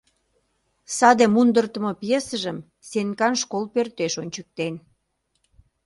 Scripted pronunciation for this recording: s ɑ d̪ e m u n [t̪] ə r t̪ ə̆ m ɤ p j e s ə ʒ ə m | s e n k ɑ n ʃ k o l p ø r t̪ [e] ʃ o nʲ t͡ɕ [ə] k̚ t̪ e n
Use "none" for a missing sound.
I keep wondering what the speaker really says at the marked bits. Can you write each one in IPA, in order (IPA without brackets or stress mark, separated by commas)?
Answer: d̪, e, ə